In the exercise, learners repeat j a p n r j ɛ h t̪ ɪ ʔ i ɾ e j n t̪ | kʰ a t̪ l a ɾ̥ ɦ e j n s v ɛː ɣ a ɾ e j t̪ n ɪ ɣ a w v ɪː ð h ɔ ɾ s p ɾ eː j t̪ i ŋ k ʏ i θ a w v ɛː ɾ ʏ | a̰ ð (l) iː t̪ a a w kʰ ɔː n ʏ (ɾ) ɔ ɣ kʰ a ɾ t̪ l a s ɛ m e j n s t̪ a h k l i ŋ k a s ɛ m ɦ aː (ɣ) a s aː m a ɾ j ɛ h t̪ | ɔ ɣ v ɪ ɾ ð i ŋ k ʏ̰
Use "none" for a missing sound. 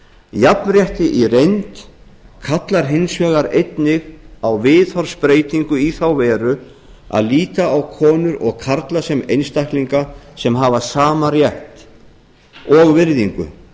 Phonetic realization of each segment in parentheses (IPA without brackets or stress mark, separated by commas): l, ɾ, v